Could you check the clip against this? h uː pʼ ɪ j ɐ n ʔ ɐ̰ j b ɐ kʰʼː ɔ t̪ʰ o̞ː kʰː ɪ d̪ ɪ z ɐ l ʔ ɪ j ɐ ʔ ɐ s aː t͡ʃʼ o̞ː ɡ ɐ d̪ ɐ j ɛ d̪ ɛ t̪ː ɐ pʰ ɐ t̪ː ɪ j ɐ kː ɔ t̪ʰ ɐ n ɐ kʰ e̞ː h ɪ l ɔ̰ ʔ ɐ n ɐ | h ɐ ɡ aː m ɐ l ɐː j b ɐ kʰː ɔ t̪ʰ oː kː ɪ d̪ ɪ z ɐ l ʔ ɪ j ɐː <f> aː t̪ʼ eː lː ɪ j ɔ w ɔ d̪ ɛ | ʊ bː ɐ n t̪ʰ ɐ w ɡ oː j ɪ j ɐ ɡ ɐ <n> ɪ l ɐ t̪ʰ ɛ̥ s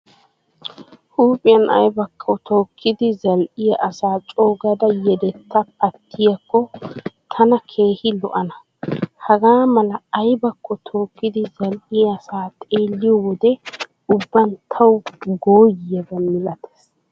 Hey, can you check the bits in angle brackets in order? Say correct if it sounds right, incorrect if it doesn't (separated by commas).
incorrect, incorrect